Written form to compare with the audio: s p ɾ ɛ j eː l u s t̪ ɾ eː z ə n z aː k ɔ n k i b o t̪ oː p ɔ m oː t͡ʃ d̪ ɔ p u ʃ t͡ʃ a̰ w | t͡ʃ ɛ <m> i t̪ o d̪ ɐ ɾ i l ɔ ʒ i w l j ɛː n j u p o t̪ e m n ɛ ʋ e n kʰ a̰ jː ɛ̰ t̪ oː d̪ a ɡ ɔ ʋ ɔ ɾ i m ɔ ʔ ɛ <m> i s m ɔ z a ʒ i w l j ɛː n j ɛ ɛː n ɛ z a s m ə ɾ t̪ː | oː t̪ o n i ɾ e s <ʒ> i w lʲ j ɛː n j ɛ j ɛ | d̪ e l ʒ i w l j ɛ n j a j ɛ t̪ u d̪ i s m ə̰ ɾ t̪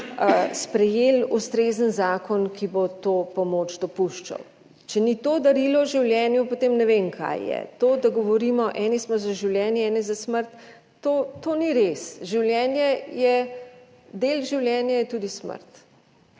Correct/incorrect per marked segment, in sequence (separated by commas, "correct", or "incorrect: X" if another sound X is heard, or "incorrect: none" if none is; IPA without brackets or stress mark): incorrect: n, incorrect: n, correct